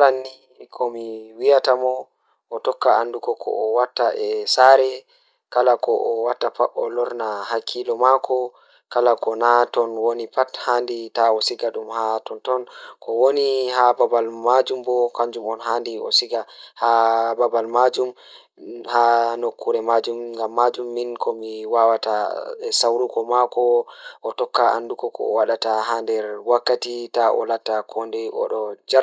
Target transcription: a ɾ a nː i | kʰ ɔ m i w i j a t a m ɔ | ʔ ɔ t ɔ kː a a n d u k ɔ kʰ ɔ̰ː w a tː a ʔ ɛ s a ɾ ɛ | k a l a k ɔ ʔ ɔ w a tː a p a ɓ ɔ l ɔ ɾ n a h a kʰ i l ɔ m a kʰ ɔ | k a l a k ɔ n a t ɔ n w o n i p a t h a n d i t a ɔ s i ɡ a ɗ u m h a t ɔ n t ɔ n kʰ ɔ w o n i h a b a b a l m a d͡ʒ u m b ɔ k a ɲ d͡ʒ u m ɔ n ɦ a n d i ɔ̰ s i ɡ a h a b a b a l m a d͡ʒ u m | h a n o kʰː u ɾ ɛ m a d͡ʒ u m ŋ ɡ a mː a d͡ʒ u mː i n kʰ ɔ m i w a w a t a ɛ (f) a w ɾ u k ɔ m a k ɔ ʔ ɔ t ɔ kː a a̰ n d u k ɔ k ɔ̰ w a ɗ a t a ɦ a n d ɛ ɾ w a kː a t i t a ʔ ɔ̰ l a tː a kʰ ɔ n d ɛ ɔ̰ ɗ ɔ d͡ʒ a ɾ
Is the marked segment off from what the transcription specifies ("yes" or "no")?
yes